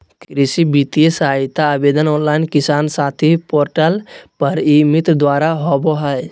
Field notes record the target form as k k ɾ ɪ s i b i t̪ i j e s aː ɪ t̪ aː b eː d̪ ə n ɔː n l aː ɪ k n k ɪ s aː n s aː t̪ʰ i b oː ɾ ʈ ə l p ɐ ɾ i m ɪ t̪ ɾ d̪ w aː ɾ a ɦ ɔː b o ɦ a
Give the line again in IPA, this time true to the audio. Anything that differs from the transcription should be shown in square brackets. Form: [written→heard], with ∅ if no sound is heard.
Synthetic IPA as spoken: k k ɾ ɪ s i b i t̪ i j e s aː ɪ t̪ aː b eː d̪ ə n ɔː n l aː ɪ [k→∅] n k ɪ s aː n s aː t̪ʰ i [b→p] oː ɾ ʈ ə l p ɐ ɾ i m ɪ t̪ ɾ d̪ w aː ɾ a ɦ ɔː b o ɦ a